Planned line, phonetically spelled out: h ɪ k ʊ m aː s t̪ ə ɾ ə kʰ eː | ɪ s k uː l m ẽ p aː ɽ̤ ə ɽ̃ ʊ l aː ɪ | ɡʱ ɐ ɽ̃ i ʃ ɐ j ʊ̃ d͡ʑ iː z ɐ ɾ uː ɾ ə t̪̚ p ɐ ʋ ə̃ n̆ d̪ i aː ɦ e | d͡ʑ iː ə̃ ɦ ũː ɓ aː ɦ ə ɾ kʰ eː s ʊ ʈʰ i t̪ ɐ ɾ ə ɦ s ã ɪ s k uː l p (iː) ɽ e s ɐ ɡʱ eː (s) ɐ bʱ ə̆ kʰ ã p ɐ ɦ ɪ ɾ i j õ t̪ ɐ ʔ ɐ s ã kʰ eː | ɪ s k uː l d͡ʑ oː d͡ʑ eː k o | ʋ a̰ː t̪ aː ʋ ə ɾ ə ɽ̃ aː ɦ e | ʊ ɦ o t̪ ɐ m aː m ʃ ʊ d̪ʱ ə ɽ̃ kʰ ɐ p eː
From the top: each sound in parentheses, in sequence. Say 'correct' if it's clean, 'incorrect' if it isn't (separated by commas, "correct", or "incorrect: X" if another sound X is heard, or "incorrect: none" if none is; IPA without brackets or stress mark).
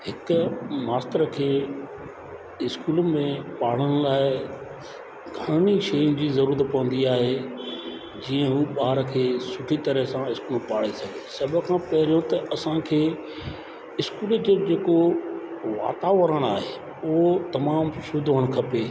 incorrect: aː, correct